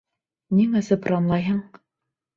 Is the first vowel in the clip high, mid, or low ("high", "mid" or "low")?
high